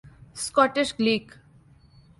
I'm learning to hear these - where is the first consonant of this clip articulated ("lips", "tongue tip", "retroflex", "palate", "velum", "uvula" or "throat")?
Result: tongue tip